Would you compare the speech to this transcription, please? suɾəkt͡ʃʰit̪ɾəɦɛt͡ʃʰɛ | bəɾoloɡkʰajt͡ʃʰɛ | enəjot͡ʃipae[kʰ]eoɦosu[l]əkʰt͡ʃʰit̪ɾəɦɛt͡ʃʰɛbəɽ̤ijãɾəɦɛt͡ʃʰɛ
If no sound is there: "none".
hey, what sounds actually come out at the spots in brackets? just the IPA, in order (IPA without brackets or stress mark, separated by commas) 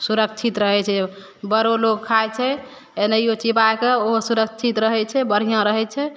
k, ɾ